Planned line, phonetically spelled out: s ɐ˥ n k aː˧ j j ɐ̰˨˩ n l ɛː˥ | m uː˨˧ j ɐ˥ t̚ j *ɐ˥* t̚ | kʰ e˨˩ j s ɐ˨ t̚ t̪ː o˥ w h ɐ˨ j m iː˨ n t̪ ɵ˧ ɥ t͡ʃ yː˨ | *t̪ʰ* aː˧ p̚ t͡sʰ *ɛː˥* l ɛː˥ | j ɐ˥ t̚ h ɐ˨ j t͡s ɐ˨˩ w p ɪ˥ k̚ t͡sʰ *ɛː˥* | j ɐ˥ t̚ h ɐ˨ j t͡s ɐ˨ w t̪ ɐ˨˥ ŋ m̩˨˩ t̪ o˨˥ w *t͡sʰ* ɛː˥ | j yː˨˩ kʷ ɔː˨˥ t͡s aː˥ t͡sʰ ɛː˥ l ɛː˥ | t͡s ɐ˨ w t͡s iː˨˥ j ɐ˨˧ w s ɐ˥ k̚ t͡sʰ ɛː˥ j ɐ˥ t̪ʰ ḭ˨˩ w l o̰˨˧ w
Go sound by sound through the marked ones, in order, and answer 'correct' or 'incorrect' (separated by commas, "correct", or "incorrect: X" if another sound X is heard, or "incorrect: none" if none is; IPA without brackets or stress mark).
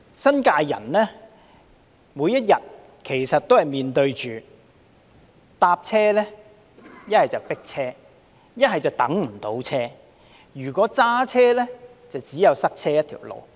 incorrect: ɐ˨˩, incorrect: t̪, correct, correct, correct